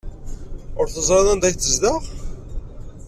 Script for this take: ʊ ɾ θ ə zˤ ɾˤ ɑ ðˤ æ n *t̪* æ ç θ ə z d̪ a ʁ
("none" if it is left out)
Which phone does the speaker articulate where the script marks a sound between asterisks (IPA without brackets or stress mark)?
d̪